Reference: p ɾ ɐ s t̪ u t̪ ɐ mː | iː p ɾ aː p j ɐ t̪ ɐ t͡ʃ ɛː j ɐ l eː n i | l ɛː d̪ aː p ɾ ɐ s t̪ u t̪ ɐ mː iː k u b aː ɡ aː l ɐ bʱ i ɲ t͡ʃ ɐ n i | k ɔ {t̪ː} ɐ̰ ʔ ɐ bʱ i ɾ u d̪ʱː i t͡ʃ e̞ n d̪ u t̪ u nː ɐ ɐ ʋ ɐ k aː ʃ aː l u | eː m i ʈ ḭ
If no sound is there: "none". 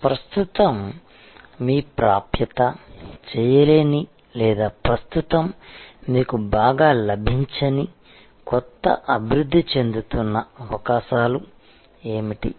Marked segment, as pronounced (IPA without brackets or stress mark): t̪ː